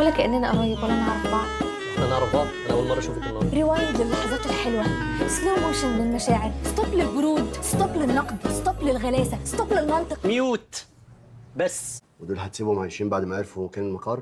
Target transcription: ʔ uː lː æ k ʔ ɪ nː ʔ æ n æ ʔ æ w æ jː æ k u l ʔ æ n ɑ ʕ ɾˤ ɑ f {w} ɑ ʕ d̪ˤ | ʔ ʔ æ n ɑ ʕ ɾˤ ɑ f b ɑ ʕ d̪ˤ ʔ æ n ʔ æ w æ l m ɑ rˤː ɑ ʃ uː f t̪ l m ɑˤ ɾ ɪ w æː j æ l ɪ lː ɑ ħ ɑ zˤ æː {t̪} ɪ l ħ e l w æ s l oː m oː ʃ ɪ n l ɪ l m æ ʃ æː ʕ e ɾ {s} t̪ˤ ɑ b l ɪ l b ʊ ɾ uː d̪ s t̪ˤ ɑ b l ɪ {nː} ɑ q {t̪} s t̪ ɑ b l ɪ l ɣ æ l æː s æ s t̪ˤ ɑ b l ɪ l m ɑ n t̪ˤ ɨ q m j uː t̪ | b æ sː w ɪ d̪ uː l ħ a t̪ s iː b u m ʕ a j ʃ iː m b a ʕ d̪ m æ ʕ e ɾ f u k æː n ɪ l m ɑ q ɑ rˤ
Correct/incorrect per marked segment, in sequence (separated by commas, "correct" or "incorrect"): incorrect, correct, correct, correct, incorrect